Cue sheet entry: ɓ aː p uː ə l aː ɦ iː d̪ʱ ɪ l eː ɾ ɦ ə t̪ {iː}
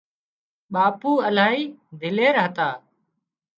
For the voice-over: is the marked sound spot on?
no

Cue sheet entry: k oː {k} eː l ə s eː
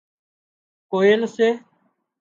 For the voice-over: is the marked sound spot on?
no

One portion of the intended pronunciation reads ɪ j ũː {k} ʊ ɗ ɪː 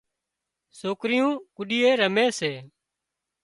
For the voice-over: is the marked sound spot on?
yes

